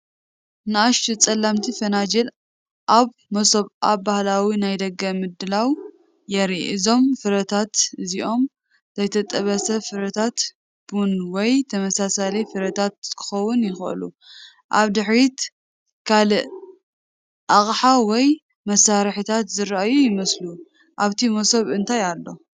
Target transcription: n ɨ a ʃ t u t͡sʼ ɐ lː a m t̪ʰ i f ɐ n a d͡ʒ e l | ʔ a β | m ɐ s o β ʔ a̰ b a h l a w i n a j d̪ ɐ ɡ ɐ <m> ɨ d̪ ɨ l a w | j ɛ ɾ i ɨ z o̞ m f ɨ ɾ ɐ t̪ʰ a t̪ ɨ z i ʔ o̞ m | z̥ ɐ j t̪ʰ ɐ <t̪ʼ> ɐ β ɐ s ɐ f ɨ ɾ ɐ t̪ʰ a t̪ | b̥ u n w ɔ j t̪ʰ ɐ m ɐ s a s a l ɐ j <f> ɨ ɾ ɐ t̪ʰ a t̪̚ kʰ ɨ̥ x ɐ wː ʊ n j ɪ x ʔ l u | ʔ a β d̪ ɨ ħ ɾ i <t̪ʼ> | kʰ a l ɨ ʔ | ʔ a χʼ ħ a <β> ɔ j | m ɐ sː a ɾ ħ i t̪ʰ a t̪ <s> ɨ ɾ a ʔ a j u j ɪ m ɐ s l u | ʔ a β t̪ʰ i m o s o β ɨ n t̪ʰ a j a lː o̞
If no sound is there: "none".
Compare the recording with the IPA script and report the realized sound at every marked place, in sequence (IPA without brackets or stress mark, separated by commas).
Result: m, t̪ʼ, f, t̪, w, z